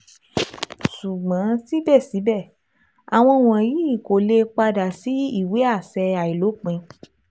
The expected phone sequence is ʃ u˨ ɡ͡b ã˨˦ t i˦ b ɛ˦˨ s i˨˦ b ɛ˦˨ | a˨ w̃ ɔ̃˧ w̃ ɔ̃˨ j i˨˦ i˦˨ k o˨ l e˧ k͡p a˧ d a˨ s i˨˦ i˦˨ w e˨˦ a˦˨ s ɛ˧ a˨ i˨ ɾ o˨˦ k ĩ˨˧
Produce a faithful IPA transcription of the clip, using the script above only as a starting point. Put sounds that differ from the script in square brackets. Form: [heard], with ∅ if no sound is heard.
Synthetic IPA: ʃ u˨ ɡ͡b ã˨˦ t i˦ b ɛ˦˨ s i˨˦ b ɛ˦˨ | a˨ w̃ ɔ̃˧ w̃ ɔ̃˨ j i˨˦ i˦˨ k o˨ l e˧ k͡p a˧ d a˨ s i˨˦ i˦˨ w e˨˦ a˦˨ s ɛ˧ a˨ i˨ [l] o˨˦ [k͡p] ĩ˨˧